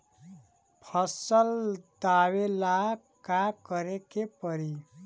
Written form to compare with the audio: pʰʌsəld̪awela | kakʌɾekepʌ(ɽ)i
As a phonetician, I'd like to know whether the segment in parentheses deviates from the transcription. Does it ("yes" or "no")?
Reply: yes